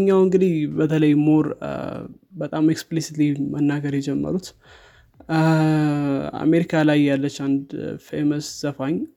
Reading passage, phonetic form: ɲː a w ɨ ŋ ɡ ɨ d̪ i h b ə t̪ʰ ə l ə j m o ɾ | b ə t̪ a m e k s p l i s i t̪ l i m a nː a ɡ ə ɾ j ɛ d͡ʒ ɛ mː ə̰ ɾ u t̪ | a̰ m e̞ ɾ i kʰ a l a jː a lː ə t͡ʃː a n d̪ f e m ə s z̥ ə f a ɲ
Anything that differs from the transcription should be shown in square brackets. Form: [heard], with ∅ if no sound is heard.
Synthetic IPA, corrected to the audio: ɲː a w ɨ ŋ ɡ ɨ d̪ i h b ə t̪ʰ ə l ə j m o ɾ | b ə [t̪ʼ] a m e k s p l i s i t̪ l i m [ə] nː a ɡ ə ɾ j ɛ d͡ʒ ɛ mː ə̰ ɾ u t̪ | a̰ m e̞ ɾ i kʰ a l a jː a lː ə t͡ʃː a n d̪ f e m ə s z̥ ə f a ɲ